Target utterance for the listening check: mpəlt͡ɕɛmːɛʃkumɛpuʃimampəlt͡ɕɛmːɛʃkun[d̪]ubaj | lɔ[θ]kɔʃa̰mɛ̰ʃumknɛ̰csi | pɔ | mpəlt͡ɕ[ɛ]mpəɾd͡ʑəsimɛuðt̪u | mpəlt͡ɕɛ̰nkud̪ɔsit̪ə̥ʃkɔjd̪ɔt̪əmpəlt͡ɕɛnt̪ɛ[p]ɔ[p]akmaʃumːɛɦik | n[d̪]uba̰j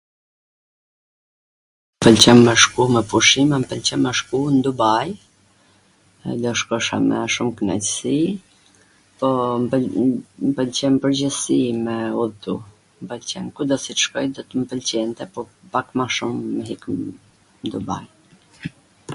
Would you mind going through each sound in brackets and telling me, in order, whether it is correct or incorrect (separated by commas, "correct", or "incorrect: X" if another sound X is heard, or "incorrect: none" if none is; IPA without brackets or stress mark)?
correct, incorrect: ʃ, correct, correct, correct, correct